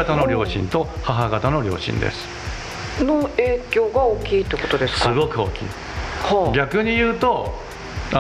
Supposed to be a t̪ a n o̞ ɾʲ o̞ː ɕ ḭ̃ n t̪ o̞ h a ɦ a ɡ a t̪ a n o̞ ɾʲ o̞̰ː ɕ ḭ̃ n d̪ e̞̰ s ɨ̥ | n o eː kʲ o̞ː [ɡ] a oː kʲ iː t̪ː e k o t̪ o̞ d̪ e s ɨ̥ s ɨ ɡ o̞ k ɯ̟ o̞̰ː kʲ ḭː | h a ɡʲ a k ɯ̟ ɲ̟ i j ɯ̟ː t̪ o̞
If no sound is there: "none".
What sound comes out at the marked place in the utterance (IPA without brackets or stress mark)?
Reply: ɡ